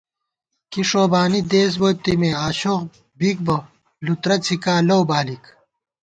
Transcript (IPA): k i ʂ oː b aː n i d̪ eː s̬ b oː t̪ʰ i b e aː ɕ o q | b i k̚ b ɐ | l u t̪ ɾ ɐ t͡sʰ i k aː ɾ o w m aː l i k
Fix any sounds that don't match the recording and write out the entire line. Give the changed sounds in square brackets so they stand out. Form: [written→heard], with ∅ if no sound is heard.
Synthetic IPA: k i ʂ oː b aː n i d̪ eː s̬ b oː [t̪ʰ→t̪] i [b→m] e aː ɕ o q | b i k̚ b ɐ | l u t̪ ɾ ɐ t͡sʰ i k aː [ɾ→l] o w [m→b] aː l i k